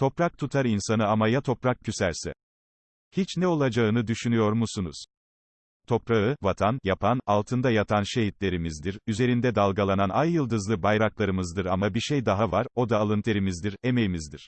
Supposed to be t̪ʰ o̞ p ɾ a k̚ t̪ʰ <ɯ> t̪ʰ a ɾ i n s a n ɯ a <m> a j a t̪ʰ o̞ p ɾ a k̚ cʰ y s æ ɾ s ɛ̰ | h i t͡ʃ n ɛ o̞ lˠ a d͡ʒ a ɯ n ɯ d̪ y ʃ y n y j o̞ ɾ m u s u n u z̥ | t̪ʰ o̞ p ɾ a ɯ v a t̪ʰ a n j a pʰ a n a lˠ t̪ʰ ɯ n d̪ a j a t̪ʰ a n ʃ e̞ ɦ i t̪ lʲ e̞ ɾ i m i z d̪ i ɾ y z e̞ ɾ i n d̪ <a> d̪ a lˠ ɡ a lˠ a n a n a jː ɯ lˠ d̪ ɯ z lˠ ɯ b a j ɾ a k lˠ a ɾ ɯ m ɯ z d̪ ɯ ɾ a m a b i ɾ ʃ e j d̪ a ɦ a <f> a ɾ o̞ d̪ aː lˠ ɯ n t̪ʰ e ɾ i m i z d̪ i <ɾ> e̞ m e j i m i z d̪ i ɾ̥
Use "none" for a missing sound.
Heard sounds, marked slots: u, m, ɛ, v, ɾ

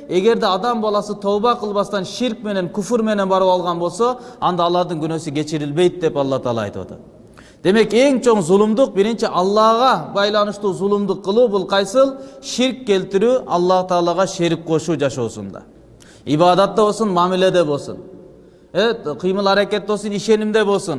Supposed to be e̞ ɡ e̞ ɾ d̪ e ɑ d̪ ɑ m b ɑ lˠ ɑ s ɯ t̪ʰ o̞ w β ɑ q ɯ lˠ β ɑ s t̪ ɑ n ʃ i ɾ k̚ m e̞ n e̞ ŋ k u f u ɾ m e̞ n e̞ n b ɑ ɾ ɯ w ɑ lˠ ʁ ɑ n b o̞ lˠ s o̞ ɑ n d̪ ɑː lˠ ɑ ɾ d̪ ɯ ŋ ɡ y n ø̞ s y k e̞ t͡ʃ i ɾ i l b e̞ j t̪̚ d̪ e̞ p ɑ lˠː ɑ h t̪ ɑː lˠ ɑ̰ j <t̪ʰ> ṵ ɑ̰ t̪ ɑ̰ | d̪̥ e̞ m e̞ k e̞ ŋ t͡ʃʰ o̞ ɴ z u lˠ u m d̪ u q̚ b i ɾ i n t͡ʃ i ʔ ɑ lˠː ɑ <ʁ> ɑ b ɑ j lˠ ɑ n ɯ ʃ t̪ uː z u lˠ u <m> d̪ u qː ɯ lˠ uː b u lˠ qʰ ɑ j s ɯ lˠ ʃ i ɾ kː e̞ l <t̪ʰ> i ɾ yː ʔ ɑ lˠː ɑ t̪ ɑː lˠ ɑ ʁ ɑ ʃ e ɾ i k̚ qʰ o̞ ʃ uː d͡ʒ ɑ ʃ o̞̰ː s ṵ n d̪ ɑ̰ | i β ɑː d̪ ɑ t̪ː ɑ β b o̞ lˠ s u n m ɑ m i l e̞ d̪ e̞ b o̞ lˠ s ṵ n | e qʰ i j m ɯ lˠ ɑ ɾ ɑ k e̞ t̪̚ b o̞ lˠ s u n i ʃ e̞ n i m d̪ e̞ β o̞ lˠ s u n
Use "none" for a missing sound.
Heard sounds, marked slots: t̪, ʁ, m, t̪

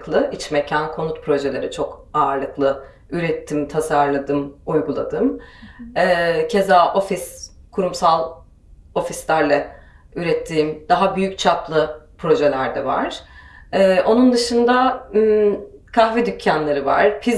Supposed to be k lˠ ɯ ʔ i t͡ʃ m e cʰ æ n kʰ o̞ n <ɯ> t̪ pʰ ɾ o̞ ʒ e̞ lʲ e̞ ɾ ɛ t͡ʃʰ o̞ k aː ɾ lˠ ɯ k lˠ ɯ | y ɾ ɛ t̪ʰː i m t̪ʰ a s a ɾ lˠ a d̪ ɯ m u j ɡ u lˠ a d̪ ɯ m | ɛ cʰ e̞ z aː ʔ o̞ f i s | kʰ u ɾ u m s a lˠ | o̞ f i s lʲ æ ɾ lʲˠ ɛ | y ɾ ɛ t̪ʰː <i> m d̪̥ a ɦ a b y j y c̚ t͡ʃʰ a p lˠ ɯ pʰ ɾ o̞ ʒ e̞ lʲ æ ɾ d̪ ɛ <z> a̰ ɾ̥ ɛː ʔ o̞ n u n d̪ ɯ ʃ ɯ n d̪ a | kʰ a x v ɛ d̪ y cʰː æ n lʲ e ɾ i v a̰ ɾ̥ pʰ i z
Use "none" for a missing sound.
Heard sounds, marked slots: u, iː, v

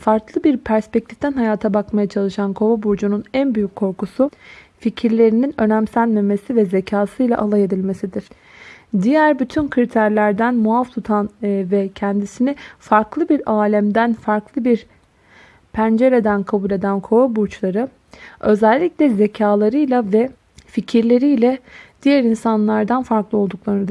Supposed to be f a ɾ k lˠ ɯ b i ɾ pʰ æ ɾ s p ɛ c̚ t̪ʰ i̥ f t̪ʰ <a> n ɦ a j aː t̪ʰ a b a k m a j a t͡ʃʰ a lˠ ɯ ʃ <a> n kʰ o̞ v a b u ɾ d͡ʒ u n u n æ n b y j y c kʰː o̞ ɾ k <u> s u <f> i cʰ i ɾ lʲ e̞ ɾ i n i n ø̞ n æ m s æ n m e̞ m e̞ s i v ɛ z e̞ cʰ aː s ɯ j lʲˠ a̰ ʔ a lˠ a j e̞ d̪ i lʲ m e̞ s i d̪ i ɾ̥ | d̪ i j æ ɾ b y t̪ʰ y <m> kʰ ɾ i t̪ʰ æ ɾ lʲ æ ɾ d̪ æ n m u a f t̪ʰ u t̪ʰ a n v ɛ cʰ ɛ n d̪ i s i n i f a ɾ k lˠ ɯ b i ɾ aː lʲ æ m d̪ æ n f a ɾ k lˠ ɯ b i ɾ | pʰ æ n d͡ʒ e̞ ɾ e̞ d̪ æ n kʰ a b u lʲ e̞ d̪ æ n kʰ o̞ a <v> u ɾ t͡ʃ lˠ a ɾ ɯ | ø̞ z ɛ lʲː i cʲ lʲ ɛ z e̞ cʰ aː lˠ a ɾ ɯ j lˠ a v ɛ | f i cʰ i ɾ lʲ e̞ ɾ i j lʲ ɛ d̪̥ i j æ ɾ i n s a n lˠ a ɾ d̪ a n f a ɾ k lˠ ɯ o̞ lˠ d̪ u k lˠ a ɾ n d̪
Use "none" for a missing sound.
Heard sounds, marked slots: æ, a, u, f, n, b

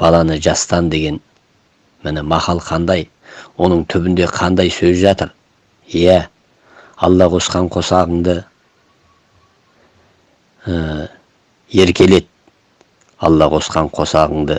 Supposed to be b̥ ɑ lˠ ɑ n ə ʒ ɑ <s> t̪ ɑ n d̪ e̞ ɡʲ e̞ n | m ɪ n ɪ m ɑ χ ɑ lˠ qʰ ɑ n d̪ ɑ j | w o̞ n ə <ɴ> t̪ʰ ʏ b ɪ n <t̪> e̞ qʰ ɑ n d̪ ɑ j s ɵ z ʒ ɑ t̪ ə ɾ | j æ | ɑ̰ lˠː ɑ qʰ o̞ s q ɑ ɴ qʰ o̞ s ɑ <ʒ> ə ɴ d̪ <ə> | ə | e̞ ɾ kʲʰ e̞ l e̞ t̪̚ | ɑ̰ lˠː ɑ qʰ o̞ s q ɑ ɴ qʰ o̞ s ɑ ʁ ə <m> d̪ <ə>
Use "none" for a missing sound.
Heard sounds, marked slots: s, ɴ, d̪, ʁ, ə, ɴ, ə

